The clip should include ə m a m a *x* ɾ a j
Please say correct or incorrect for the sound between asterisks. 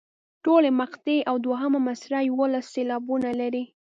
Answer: incorrect